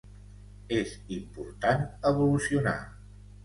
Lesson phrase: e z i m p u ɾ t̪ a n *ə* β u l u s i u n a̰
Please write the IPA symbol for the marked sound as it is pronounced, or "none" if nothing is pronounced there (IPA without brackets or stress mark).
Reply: ə